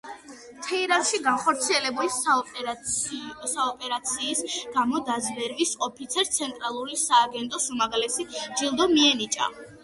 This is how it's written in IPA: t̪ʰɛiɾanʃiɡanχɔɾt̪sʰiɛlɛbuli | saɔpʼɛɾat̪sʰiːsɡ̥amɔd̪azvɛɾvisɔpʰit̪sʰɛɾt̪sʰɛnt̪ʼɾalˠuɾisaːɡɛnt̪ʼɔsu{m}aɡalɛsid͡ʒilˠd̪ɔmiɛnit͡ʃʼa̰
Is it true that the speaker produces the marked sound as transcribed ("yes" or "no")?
yes